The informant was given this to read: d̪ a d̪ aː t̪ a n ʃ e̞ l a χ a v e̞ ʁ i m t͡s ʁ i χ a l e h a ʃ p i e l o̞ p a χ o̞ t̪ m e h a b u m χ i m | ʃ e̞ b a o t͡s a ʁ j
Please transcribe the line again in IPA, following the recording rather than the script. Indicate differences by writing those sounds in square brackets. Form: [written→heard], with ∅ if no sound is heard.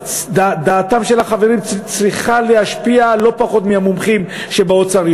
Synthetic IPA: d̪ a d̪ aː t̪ a [n→m] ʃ e̞ l a χ a v e̞ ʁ i m t͡s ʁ i χ a l e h a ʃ p i [e→a] l o̞ p a χ o̞ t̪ m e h a [b→m] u m χ i m | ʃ e̞ b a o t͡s a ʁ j

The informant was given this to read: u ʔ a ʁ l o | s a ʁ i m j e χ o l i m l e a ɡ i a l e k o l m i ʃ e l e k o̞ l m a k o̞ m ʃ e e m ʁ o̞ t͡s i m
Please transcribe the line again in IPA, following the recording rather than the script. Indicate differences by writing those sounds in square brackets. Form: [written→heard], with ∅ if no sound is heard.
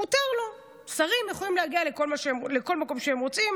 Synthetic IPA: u [ʔ→t] a ʁ l o | s a ʁ i m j e χ o l i m l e a ɡ i a l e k o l m [i→a] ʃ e l e k o̞ l m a k o̞ m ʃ e e m ʁ o̞ t͡s i m

